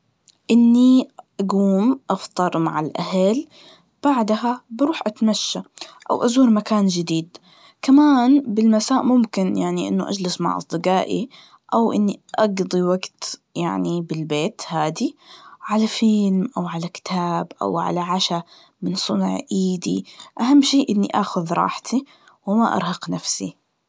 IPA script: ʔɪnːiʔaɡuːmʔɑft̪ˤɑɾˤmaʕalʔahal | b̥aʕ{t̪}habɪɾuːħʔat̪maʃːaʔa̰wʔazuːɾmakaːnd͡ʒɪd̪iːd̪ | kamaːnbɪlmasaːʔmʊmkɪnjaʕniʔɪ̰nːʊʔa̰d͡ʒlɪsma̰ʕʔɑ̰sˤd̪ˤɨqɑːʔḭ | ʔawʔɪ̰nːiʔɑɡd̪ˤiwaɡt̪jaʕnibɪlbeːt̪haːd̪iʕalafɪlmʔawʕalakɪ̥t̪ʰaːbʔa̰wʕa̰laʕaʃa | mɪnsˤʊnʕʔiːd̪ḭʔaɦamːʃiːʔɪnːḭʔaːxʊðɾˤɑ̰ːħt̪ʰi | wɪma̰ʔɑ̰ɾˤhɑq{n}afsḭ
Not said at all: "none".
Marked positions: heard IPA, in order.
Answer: d̪, n

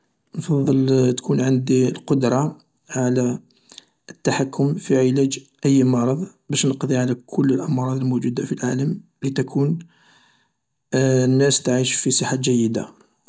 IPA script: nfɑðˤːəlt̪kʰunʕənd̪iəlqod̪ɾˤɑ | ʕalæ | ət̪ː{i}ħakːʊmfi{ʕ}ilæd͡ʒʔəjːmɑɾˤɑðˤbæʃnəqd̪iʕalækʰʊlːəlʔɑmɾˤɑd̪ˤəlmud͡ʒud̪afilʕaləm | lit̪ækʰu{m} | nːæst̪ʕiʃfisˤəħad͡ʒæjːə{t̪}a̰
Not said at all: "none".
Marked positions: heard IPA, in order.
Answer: a, ʕ, n, d̪

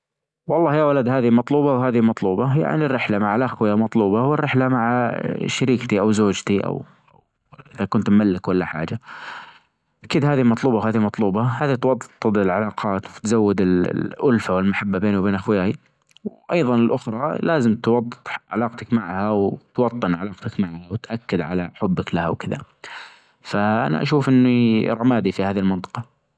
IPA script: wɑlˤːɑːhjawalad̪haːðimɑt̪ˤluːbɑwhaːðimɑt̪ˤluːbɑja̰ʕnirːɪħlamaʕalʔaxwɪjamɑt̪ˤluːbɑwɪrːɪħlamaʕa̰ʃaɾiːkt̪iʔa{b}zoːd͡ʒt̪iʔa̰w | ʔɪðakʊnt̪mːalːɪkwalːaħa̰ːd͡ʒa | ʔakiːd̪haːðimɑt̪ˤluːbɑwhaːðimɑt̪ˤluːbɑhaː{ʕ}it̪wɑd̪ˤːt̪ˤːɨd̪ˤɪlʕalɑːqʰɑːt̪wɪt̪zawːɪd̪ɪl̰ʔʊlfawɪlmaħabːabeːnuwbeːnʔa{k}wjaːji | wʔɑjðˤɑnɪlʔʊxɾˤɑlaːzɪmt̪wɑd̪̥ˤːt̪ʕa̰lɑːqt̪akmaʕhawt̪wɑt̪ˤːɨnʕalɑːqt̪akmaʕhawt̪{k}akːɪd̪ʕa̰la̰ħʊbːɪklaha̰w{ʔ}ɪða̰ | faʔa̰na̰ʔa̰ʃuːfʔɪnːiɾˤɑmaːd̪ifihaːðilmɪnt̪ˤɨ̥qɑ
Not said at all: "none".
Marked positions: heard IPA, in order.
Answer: w, ð, x, ʔ, k

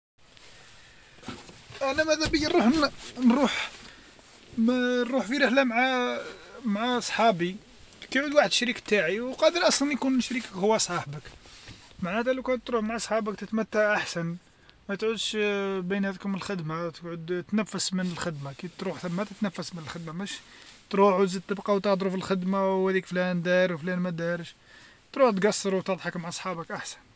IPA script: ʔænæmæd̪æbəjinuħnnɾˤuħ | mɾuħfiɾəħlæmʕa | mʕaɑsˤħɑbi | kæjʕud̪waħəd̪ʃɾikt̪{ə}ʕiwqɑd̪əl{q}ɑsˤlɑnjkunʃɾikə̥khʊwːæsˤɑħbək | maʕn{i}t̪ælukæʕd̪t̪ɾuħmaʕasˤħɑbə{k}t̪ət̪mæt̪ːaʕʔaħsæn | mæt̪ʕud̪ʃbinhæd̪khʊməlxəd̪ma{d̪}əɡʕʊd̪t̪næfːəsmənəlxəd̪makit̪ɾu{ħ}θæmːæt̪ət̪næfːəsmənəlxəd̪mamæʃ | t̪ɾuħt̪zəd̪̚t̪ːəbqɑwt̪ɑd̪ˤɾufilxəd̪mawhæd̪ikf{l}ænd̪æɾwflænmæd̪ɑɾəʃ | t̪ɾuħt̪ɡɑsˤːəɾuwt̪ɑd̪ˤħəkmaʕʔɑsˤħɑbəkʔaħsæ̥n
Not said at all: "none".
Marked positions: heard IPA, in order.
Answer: a, ʔ, æ, k, t̪, ħ, l

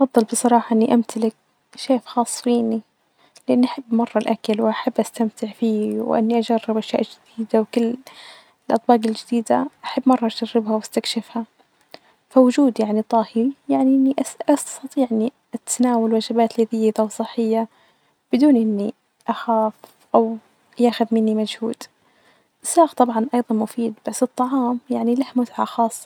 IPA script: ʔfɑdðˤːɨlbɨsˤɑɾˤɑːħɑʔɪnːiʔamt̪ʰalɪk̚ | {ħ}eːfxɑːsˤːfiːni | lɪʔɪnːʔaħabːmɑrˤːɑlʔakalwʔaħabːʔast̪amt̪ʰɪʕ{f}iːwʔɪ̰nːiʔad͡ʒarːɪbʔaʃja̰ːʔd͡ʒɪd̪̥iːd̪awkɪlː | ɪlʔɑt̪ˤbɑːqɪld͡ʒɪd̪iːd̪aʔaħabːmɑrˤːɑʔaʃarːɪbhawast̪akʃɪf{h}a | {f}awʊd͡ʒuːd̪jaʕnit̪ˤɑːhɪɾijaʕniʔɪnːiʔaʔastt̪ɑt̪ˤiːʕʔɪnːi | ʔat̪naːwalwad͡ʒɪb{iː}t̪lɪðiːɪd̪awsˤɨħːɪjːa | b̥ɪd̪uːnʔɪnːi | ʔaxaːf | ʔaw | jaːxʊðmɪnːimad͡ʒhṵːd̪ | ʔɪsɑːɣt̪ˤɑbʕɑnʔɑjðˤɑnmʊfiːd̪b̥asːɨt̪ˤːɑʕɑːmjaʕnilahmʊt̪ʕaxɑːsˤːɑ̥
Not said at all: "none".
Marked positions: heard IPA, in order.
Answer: ʃ, f, h, f, aː

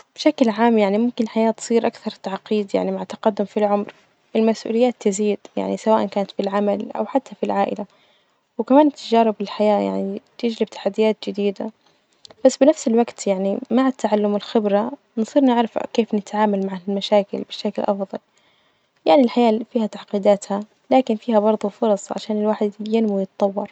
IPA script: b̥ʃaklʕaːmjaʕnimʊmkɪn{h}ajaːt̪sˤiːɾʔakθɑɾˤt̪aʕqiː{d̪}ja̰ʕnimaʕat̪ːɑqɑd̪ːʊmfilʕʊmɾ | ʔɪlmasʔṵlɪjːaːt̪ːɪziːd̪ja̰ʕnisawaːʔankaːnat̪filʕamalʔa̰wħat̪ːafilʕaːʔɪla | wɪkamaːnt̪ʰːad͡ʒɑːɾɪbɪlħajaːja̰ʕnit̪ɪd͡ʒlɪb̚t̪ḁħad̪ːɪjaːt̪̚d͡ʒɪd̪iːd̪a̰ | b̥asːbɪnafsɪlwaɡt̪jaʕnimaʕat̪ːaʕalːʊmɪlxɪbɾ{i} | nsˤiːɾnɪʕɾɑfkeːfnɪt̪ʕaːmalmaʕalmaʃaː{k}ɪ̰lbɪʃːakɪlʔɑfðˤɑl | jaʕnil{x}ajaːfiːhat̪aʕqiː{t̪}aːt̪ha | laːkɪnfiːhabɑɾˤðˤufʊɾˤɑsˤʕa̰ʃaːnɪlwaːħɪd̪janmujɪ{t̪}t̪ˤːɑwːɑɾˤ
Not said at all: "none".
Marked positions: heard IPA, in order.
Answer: ħ, d̪, a, k, ħ, d̪, t̪

